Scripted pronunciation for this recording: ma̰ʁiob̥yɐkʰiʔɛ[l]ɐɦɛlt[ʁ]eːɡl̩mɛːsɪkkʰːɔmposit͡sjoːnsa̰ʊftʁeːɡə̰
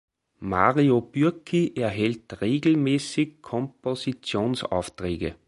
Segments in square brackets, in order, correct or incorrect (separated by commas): incorrect, correct